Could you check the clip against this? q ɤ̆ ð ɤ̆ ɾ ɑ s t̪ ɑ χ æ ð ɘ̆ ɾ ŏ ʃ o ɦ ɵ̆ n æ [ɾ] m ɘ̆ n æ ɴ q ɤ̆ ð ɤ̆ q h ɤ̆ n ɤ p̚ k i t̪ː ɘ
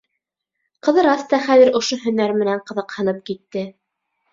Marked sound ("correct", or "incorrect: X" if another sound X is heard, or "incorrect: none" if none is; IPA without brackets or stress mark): correct